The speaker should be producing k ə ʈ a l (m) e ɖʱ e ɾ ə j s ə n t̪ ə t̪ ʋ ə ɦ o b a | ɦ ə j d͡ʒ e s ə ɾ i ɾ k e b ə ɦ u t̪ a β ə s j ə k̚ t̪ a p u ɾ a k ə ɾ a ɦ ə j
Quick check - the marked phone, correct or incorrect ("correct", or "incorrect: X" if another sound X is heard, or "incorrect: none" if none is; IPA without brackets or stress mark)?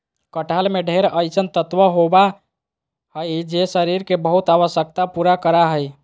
correct